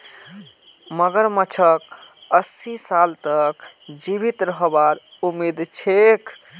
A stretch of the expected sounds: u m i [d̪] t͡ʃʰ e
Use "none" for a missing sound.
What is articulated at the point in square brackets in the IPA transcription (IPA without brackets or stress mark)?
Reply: d̪